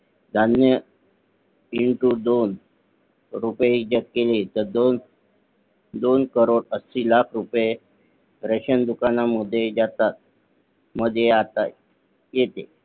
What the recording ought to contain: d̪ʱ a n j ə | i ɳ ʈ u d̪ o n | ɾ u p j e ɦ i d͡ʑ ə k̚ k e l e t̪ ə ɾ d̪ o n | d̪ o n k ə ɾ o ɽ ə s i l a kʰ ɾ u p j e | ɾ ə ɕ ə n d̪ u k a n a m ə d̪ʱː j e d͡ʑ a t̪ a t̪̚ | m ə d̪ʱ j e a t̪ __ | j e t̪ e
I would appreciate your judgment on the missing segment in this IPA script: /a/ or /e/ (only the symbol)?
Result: a